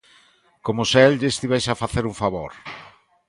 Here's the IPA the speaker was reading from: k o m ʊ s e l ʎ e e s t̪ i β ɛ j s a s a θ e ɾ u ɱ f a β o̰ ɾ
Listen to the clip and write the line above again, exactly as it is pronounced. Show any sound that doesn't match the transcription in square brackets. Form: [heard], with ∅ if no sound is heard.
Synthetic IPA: k o m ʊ s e l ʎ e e s t̪ i β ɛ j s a [f] a θ e ɾ u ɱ f a β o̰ ɾ